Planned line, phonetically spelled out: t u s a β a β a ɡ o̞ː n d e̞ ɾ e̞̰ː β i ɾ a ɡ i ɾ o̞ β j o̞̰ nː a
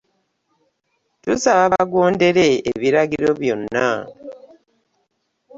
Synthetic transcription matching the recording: t u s a β a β a ɡ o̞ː n d e̞ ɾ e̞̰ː β i ɾ a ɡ i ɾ o̞ β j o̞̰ nː a